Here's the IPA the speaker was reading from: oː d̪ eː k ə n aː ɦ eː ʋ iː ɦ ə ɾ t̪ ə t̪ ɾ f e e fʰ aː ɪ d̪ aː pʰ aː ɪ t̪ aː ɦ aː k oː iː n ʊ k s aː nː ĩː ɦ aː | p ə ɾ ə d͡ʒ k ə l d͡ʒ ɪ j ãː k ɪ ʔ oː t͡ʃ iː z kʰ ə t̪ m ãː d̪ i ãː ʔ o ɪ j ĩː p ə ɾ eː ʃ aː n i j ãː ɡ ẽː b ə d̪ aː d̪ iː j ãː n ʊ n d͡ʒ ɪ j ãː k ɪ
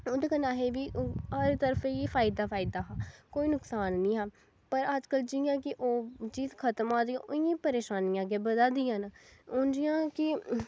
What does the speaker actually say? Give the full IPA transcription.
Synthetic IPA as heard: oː d̪ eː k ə n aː ɦ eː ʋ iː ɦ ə ɾ t̪ ə ɾ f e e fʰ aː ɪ d̪ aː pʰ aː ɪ d̪ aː ɦ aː k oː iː n ʊ k s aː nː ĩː ɦ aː | p ə ɾ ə d͡ʒ k ə l d͡ʒ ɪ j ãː k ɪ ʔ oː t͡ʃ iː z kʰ ə t̪ m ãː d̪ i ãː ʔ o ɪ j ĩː p ə ɾ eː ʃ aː n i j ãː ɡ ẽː b ə d̪ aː d̪ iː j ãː n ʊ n d͡ʒ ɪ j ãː k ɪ